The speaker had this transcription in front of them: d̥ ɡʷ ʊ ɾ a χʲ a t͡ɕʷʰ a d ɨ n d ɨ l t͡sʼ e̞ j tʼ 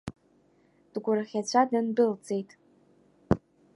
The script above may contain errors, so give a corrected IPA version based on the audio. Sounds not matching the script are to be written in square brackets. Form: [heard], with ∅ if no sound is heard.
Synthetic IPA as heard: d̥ ɡʷ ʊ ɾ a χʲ a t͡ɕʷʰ a d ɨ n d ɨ l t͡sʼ e̞ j tʼ